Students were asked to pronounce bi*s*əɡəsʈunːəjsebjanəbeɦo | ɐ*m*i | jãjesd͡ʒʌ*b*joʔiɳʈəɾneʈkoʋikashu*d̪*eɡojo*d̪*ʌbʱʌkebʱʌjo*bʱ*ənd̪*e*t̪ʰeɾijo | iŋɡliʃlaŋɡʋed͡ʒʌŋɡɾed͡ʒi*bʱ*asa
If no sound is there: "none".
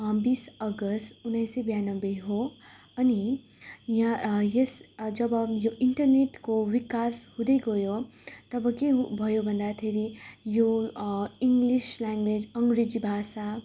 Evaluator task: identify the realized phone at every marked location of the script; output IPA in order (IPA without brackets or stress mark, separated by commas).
s, n, b, d̪, t̪, bʱ, a, bʱ